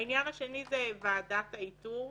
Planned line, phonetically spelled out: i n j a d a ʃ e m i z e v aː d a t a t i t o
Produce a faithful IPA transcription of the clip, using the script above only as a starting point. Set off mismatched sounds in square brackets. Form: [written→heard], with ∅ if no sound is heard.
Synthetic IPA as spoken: i n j a [d→n] a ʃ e [m→n] i z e v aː d a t a [t→∅] i t [o→u]